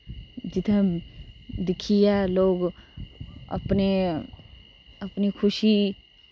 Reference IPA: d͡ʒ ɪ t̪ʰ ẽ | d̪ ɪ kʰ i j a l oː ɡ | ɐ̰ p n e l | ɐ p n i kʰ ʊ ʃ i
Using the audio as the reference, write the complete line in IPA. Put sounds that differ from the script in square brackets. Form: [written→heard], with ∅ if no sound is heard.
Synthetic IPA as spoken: d͡ʒ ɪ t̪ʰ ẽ | d̪ ɪ kʰ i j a l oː ɡ | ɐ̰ p n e [l→∅] | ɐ p n i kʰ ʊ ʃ i